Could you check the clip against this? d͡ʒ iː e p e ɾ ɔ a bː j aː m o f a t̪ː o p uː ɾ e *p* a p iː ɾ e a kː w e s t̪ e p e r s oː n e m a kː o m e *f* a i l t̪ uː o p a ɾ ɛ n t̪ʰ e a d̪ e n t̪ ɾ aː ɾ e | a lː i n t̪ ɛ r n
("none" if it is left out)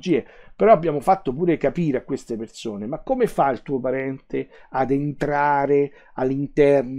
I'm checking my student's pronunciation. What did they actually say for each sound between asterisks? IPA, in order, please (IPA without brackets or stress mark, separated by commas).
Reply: k, f